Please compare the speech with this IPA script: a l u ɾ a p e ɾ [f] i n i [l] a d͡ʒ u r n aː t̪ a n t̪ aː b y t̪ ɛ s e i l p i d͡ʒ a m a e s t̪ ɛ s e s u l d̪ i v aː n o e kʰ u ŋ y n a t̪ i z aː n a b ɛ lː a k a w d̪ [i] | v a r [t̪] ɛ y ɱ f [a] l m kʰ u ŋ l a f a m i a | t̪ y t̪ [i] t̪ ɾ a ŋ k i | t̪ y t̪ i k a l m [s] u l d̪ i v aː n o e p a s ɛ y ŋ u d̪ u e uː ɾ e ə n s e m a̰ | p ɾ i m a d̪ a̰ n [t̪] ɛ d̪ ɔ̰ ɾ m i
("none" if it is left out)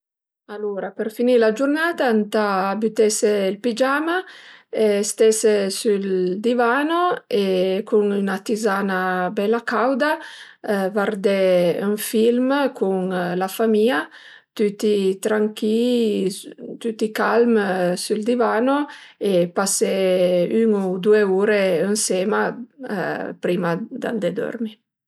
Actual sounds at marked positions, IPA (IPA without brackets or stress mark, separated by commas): f, l, a, d̪, i, i, s, d̪